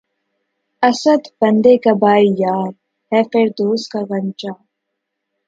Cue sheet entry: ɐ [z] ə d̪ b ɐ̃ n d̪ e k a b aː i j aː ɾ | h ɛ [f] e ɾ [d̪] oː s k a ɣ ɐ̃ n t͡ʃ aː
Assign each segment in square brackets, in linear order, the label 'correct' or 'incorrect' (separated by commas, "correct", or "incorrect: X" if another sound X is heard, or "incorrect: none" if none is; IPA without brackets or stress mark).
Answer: incorrect: s, correct, correct